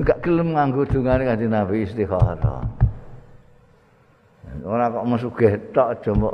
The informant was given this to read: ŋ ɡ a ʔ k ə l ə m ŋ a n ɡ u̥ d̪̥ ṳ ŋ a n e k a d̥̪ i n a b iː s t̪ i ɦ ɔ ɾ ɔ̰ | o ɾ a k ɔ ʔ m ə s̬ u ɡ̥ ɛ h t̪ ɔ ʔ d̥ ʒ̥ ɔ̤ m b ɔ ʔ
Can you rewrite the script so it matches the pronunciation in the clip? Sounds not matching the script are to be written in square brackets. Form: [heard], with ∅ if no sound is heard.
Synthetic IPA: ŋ ɡ a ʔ k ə l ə m ŋ a [ŋ] ɡ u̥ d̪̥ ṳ ŋ a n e k a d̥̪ i n a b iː s t̪ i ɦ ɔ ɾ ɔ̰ | o ɾ a k ɔ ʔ m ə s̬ u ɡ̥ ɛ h t̪ ɔ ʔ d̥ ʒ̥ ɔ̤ m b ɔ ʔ